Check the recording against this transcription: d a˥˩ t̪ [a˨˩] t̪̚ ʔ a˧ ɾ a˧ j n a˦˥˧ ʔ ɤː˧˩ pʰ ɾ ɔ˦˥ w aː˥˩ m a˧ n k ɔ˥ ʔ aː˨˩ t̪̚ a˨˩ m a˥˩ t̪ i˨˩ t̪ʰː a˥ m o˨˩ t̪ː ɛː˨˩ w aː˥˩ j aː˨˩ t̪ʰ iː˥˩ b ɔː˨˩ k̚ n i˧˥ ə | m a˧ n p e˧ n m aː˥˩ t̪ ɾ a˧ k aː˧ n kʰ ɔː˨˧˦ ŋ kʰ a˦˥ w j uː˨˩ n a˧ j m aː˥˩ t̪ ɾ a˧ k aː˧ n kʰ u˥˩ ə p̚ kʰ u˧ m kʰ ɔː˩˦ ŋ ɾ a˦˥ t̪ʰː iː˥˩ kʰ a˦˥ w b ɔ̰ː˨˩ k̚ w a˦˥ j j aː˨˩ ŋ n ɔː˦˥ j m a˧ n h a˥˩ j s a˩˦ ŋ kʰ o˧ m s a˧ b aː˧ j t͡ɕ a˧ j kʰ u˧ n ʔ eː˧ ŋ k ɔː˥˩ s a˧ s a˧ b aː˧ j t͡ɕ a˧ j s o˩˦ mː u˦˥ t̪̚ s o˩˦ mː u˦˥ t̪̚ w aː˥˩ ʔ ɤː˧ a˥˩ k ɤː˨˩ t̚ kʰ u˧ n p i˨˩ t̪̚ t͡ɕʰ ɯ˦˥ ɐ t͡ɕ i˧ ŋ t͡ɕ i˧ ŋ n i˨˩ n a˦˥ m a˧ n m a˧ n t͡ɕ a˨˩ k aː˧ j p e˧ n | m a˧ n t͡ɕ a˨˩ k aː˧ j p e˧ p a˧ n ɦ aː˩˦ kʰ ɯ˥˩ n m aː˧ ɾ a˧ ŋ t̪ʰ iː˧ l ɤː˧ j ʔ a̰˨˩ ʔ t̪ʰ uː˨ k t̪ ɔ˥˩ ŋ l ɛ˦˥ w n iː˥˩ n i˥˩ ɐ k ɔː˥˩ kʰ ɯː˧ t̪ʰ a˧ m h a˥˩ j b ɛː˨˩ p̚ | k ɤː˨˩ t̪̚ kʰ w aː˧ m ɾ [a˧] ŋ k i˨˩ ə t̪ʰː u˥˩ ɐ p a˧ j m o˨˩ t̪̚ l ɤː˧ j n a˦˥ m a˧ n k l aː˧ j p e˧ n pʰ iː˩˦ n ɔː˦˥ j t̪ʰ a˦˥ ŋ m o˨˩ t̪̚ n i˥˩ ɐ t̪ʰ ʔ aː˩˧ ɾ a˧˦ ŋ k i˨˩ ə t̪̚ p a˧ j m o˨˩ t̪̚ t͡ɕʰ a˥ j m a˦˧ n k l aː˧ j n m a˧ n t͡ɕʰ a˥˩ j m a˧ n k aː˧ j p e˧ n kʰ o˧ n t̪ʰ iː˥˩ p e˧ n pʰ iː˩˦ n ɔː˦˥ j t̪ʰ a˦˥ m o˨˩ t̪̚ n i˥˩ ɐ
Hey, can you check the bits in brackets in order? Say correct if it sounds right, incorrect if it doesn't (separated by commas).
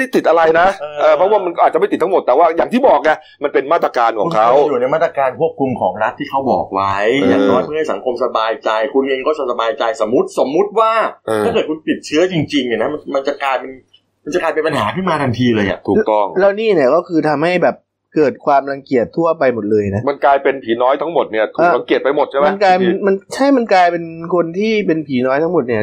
incorrect, correct